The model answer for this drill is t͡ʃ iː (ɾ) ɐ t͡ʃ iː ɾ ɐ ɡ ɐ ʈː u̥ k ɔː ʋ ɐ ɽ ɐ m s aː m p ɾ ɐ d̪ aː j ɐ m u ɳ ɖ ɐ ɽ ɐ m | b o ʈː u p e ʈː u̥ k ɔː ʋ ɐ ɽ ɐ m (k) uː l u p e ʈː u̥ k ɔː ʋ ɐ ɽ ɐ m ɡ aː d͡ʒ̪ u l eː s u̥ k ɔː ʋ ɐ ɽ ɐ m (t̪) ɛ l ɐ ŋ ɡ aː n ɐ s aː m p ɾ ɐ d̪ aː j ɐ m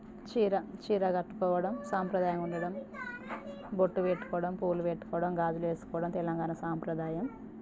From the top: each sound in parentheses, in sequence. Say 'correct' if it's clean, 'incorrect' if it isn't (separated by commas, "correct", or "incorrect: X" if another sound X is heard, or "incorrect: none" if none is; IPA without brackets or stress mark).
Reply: correct, incorrect: p, correct